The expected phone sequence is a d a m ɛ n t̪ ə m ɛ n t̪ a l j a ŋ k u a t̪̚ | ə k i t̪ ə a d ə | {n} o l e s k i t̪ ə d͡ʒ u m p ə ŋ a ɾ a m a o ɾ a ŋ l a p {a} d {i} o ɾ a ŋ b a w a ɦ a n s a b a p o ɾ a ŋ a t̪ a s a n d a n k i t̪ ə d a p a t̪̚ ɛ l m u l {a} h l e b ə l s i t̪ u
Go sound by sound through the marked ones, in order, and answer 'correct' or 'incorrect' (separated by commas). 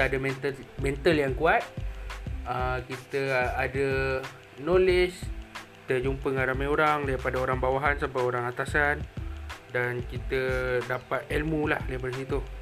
correct, correct, incorrect, correct